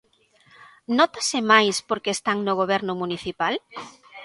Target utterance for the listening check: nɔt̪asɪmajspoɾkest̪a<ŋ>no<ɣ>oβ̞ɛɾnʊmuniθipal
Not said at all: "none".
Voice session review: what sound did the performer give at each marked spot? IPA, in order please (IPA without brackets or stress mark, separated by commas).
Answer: ŋ, ɣ